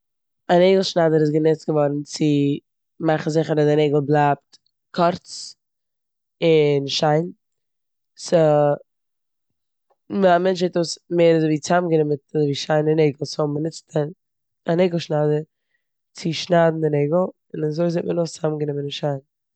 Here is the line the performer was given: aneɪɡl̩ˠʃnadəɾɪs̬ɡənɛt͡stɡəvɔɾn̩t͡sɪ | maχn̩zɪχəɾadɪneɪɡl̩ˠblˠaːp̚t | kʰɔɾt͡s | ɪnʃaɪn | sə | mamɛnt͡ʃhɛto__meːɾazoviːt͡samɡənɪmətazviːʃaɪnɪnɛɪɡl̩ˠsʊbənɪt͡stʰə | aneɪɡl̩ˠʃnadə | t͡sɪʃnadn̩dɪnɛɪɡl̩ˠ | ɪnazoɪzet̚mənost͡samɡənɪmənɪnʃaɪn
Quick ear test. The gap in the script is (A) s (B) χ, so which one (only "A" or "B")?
A